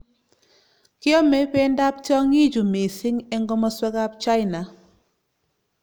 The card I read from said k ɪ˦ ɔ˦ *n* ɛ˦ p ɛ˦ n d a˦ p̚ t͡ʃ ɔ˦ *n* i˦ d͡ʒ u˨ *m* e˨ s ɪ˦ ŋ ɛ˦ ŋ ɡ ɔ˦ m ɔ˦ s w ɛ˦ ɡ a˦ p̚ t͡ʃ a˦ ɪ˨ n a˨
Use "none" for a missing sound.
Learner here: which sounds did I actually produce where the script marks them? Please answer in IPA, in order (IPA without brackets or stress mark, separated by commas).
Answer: m, ŋ, m